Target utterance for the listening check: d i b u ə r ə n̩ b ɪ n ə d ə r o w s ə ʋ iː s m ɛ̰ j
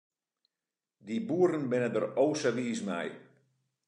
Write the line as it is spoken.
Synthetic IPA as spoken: d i b u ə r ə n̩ b ɪ n ə d ə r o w s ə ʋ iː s m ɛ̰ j

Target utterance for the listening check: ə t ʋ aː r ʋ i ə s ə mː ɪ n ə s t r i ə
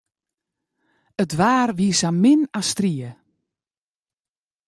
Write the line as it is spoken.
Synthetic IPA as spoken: ə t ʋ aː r ʋ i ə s a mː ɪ n a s t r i ə

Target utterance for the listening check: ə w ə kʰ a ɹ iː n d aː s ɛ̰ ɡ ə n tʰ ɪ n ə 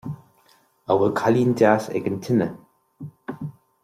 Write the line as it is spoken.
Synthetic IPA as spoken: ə w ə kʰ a l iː n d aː s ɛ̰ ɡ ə n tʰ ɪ n ə

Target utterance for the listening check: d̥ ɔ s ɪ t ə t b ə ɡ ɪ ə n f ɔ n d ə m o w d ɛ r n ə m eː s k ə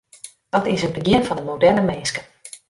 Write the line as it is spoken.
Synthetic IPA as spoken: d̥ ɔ t ɪ s ə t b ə ɡ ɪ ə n f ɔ n d ə m o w d ɛ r n ə m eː s k ə

